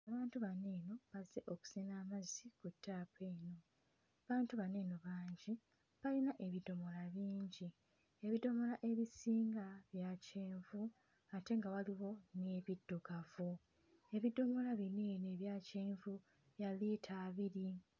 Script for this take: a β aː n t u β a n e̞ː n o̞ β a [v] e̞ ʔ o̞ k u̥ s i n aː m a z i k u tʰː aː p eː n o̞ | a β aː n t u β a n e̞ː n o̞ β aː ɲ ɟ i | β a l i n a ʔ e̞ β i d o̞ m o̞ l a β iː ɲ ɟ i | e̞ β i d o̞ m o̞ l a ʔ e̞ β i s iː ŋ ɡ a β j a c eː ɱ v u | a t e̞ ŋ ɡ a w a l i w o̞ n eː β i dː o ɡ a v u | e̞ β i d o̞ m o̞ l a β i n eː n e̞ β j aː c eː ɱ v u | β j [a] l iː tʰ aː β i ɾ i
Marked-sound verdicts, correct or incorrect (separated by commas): incorrect, correct